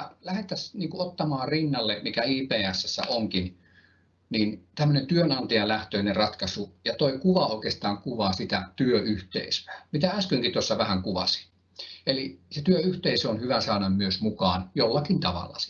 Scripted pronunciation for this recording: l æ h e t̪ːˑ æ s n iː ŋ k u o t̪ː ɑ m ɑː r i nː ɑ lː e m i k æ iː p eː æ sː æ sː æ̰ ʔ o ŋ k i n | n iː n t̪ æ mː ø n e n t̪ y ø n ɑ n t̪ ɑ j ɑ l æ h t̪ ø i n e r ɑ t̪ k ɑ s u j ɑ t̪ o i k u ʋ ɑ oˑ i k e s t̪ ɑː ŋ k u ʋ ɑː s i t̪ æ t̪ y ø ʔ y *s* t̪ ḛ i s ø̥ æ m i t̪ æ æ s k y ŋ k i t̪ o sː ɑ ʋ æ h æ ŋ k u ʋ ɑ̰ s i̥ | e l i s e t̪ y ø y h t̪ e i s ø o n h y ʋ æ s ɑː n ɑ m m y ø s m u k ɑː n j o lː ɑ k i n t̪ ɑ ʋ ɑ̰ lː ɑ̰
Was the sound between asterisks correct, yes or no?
no